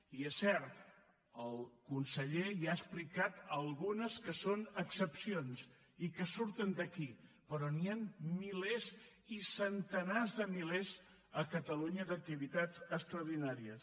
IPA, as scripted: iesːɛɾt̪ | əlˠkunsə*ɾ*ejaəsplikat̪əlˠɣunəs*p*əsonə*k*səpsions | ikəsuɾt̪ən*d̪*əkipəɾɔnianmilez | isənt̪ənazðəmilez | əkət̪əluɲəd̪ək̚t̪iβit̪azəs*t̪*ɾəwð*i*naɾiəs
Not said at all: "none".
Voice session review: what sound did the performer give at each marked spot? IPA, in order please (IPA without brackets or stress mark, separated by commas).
ʎ, k, k, d̪, t̪, i